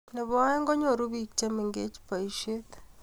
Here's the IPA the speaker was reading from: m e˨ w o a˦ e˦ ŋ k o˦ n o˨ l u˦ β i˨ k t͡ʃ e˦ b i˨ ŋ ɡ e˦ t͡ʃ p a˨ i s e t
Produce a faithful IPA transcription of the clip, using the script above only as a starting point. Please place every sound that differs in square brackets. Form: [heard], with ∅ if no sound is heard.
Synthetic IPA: [n] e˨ [β] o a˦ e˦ ŋ [ɡ] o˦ [ɲ] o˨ [ɾ] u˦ β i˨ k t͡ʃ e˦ [m] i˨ ŋ ɡ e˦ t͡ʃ p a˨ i [ʃ] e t